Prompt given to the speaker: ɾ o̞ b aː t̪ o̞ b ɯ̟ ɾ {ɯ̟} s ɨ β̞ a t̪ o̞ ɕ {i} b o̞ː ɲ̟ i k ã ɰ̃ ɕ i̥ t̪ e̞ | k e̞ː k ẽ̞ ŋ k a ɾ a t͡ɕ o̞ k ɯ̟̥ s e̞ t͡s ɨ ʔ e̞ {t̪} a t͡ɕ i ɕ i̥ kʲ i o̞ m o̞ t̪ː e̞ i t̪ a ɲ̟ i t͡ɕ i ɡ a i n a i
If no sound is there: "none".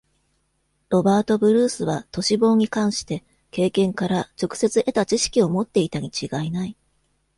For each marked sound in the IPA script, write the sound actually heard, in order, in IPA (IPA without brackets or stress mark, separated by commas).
ɯ̟ː, i, t̪